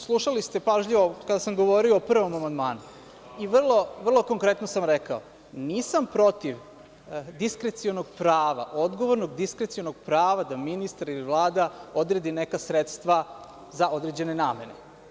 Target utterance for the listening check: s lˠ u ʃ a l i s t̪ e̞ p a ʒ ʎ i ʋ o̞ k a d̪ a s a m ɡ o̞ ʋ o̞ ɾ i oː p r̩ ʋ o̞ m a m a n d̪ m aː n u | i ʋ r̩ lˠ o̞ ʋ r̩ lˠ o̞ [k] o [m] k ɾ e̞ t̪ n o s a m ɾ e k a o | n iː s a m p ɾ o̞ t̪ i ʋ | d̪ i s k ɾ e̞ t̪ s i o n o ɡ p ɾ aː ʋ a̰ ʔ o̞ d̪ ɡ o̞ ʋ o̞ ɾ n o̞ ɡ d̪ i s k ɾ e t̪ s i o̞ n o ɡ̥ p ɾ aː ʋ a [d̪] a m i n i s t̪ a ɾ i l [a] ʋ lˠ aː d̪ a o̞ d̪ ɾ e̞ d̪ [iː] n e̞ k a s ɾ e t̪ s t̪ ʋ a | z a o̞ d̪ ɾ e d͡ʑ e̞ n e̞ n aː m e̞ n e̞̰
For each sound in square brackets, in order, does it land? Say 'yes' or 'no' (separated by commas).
yes, no, yes, no, no